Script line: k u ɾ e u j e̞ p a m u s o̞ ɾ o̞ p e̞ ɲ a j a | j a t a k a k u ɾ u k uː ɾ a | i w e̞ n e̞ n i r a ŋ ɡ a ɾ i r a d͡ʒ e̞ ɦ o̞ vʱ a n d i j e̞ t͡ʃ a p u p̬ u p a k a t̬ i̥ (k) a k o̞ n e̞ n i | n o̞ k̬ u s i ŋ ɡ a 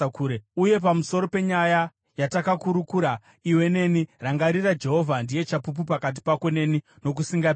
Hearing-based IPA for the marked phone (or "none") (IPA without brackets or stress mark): p